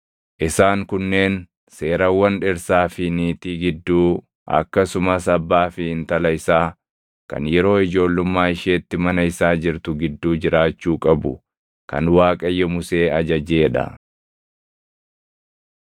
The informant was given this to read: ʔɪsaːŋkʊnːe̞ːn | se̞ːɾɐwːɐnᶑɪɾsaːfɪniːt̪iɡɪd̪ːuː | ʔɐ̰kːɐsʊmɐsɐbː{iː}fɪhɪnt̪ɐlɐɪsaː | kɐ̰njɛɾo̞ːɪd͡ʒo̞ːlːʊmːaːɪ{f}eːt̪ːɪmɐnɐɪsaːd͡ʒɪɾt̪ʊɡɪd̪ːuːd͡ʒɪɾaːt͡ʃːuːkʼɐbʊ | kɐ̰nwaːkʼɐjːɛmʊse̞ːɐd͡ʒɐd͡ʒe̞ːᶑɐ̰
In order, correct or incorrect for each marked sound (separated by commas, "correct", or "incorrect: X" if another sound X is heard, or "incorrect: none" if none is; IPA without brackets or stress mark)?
incorrect: aː, incorrect: ʃ